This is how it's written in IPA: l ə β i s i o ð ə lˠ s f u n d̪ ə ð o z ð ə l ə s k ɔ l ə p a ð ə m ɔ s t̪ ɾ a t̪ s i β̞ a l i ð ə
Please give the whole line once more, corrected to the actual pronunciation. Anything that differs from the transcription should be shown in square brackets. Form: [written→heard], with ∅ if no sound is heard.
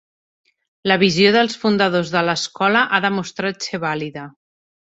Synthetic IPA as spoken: l ə β i [s→z] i o ð ə lˠ s f u n d̪ ə ð o z ð ə l ə s k ɔ l ə [p→ʔ] a ð ə m [ɔ→u] s t̪ ɾ a t̪ s [i→e] β̞ a l i ð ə